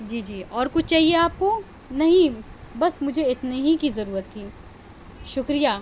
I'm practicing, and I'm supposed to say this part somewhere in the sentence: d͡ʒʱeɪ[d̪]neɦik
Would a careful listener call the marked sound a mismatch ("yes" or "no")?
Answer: yes